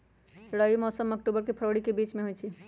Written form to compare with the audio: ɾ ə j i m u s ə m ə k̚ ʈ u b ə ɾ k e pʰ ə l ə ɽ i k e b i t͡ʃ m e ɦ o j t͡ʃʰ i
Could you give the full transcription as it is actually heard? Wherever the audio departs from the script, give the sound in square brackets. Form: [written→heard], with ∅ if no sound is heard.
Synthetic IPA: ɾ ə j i m [u→ɔ] s ə m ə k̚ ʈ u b ə ɾ k e pʰ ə [l→ɾ] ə ɽ i k e b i t͡ʃ m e ɦ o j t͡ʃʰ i